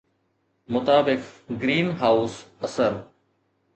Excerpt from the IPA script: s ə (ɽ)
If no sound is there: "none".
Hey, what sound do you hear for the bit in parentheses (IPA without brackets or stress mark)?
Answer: ɾ